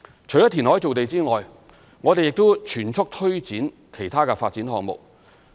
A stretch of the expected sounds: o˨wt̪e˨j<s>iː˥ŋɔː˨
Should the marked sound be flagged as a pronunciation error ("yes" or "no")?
yes